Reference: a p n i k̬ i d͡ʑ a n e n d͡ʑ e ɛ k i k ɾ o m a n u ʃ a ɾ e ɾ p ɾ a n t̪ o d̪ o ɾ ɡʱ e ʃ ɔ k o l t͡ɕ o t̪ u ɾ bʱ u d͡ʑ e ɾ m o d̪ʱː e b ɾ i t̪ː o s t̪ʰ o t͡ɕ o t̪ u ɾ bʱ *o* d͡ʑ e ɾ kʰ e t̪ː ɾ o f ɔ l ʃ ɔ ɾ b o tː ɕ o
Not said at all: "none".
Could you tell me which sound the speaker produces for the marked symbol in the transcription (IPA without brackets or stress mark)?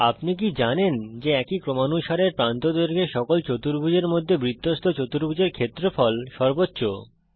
u